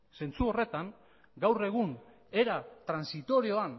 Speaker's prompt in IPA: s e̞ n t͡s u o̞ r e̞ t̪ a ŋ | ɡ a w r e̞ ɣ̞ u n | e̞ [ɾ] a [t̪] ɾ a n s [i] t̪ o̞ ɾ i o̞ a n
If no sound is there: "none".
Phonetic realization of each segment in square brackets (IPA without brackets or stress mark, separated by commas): ɾ, t̪, i